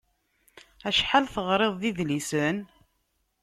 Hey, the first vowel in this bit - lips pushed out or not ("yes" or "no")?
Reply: no